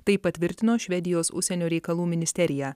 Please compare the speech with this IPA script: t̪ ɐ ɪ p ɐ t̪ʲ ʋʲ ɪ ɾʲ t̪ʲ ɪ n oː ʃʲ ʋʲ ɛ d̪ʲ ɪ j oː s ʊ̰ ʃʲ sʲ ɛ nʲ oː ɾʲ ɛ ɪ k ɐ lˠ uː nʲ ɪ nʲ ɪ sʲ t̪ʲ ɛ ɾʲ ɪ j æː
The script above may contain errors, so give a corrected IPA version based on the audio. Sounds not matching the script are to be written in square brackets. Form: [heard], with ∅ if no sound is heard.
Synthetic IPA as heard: t̪ ɐ ɪ p ɐ t̪ʲ ʋʲ ɪ ɾʲ t̪ʲ ɪ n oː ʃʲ ʋʲ ɛ d̪ʲ ɪ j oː s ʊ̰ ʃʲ sʲ ɛ nʲ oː ɾʲ ɛ ɪ k ɐ lˠ uː [mʲ] ɪ nʲ ɪ sʲ t̪ʲ ɛ ɾʲ ɪ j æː